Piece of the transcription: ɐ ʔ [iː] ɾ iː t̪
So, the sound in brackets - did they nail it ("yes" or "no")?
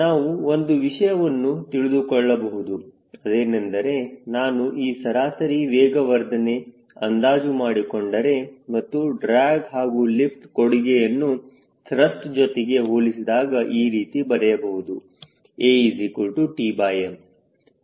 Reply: yes